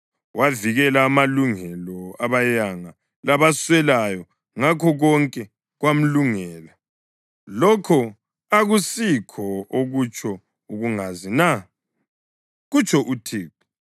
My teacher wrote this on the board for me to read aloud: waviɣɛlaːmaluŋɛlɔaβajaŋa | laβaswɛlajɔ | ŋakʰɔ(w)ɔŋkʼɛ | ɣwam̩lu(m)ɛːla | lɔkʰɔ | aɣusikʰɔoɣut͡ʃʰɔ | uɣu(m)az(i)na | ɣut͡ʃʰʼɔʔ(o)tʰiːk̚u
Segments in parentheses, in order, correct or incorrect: incorrect: ɣ, incorrect: ŋ, incorrect: ŋ, correct, incorrect: u

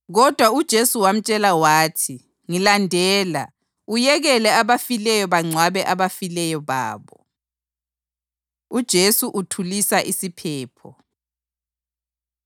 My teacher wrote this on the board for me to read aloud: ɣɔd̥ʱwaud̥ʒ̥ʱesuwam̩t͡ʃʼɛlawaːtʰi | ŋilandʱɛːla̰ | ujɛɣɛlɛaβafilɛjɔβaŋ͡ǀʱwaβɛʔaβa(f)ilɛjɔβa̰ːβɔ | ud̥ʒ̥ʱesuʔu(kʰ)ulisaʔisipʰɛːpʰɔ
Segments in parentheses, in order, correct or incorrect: correct, incorrect: tʰ

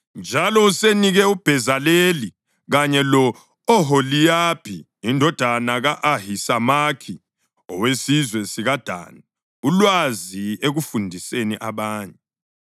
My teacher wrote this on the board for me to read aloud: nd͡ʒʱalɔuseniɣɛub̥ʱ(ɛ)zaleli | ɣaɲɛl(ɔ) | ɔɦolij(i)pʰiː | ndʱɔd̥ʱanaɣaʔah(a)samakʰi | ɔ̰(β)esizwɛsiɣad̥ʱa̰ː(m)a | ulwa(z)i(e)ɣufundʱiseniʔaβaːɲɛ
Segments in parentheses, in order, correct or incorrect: correct, correct, incorrect: a, incorrect: i, incorrect: w, incorrect: n, correct, correct

